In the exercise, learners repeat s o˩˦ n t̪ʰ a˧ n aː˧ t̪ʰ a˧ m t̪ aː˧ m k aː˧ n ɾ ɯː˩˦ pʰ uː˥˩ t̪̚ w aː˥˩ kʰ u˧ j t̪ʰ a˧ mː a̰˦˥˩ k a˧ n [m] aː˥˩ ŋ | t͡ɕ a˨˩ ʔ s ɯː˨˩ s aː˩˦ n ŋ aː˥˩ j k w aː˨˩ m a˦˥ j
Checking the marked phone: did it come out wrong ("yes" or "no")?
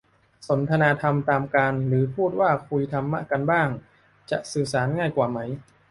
yes